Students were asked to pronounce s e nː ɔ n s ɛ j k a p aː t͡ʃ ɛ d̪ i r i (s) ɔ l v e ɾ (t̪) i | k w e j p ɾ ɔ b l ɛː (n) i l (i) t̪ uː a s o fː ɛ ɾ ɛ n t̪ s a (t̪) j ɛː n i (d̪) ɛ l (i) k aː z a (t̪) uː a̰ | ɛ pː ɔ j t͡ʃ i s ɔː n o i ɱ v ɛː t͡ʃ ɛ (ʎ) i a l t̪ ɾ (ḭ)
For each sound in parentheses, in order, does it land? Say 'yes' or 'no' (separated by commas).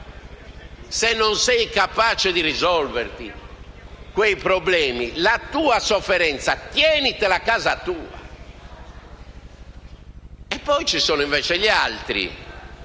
no, yes, no, no, yes, no, no, yes, yes, yes